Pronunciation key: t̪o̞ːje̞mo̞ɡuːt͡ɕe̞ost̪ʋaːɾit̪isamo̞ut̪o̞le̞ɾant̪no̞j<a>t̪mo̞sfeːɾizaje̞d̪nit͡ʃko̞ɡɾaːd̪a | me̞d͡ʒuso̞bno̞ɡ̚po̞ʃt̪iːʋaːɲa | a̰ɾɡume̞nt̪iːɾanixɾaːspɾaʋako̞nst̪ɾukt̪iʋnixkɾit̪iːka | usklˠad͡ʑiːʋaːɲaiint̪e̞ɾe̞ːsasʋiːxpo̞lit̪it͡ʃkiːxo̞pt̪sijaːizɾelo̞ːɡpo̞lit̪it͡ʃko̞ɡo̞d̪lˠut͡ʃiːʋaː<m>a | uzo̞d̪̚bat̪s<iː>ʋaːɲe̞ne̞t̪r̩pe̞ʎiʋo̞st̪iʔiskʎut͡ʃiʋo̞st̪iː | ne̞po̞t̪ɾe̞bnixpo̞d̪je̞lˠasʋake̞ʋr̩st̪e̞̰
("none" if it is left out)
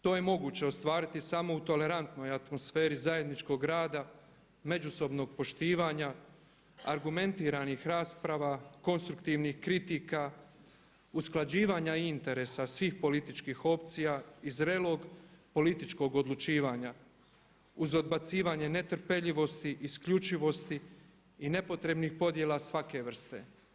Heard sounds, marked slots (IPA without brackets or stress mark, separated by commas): a, ɲ, iː